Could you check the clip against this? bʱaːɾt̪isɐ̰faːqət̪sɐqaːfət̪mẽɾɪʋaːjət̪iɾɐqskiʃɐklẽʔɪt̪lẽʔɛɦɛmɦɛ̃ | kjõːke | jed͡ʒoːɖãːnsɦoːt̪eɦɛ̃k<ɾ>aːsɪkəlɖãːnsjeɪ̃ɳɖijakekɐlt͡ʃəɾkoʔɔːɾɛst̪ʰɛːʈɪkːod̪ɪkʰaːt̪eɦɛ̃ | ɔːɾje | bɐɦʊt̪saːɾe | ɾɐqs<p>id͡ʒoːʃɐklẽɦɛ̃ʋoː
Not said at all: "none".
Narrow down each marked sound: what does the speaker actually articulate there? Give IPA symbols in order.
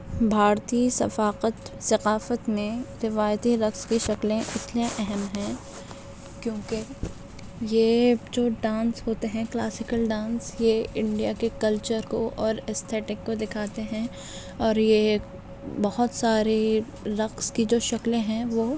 l, k

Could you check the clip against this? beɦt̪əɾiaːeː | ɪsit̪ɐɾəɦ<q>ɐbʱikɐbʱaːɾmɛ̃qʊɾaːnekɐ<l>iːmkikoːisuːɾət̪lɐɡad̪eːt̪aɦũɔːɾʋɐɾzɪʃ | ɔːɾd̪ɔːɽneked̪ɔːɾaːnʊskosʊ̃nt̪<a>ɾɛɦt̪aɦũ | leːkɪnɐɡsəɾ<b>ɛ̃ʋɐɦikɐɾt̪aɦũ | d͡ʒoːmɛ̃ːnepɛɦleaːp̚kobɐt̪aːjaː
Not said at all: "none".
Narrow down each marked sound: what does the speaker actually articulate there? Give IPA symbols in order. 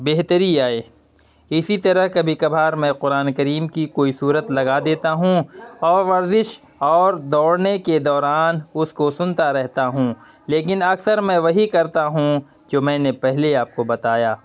k, ɾ, a, m

